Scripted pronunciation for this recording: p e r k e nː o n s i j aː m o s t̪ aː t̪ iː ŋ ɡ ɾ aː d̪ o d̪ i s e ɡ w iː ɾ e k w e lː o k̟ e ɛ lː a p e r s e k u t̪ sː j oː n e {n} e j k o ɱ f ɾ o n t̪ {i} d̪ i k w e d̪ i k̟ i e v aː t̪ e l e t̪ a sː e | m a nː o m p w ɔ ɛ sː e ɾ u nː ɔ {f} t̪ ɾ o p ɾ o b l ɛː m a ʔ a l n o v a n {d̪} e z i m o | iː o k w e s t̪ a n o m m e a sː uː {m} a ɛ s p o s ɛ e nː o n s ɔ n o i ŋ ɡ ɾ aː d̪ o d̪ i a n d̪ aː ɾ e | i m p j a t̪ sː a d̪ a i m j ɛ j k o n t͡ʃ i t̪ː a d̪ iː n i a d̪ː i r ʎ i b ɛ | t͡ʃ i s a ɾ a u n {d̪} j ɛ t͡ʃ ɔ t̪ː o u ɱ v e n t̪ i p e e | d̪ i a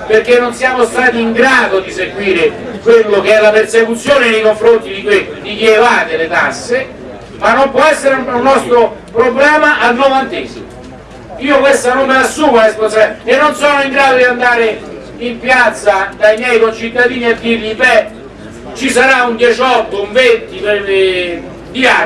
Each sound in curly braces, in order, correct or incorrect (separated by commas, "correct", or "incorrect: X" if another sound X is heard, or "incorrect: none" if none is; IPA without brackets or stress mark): correct, correct, incorrect: s, incorrect: t̪, correct, correct